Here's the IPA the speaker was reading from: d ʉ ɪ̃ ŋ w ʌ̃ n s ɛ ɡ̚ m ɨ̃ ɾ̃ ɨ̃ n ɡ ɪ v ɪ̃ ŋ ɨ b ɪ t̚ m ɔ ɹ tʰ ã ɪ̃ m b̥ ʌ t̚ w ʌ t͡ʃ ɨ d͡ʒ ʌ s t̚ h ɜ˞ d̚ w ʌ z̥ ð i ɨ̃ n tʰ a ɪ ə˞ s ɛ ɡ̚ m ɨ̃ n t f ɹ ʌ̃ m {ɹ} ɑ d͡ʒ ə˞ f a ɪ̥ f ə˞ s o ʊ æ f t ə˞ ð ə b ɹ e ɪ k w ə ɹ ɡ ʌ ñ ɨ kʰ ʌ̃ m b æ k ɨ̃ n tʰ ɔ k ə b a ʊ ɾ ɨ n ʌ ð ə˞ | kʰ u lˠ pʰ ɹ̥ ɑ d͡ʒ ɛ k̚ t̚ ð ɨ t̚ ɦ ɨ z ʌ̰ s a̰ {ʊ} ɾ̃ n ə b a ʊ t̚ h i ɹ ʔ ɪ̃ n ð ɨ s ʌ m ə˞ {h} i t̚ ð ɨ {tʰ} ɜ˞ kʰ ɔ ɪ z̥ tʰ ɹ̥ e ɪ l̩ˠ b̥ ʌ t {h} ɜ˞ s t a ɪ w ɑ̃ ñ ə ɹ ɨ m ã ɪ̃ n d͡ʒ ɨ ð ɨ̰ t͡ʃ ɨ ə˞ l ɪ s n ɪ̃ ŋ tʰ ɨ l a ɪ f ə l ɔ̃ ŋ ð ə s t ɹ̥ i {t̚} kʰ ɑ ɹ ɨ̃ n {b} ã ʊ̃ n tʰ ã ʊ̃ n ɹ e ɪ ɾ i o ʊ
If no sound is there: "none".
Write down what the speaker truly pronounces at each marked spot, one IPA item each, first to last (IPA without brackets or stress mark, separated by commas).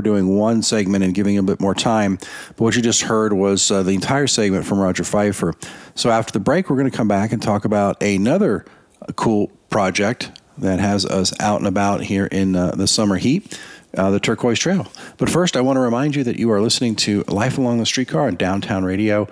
ɹ, ʊ, h, tʰ, f, t̚, d